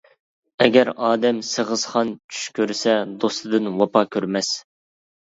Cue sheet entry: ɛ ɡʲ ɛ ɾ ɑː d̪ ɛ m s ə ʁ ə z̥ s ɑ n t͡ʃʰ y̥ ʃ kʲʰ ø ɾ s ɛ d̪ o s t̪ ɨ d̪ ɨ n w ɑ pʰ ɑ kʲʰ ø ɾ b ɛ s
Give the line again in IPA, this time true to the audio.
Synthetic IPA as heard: ɛ ɡʲ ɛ ɾ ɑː d̪ ɛ m s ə ʁ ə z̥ χ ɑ n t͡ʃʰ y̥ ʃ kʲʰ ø ɾ s ɛ d̪ o s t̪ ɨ d̪ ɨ n w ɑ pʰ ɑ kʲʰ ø ɾ m ɛ s